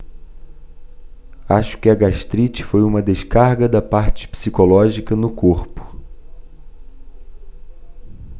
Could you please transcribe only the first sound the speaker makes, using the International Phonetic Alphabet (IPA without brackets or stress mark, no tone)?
a